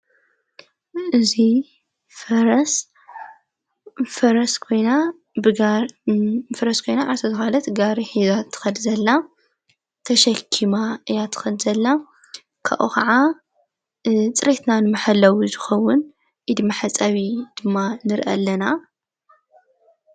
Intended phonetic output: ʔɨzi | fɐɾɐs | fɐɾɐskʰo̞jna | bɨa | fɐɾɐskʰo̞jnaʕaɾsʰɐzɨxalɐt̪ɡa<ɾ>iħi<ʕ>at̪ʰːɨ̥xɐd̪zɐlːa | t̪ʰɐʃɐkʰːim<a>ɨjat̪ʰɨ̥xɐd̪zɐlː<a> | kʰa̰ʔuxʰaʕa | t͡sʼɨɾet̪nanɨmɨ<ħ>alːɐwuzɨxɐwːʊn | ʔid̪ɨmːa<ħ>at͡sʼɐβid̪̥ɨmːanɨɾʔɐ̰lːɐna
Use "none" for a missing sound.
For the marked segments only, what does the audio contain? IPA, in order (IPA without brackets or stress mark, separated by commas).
ɾ, z, a, a, ħ, ħ